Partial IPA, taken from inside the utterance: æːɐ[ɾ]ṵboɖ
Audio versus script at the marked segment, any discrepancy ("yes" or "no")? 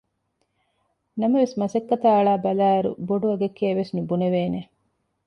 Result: no